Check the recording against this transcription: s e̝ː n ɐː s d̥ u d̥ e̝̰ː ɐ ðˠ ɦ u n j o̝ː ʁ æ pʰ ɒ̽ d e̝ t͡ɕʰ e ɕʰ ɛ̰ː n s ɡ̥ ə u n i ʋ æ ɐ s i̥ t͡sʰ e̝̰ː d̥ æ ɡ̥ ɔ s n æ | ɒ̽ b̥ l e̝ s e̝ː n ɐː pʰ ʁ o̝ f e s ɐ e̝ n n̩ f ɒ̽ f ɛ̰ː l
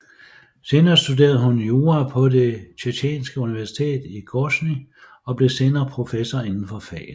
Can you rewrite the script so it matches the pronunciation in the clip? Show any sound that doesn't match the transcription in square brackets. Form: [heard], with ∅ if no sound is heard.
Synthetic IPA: s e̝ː n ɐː s d̥ u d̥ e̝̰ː ɐ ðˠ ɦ u n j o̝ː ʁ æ pʰ ɒ̽ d e̝ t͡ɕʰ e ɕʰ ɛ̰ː n s ɡ̥ ə u n i ʋ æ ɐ s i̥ t͡sʰ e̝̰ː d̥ [i] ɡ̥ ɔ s n [i] | ɒ̽ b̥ l e̝ s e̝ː n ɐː pʰ ʁ o̝ f e s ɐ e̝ n n̩ f ɒ̽ f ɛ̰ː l

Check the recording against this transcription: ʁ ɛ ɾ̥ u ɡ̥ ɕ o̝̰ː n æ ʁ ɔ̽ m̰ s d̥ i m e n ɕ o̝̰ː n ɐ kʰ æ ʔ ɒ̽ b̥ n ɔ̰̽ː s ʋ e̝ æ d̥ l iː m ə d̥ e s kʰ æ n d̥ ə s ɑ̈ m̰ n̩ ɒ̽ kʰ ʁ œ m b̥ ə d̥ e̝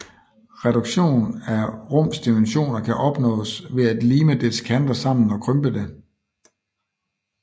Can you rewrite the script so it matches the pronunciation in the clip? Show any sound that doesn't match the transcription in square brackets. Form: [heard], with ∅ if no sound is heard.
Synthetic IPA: ʁ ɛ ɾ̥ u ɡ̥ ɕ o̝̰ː n æ ʁ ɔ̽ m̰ s d̥ i m e n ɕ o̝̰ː n ɐ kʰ æ ʔ ɒ̽ b̥ n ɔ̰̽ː s ʋ e̝ æ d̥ l iː m ə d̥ e s kʰ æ n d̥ [ɐ] s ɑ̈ m̰ n̩ ɒ̽ kʰ ʁ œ m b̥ ə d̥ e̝

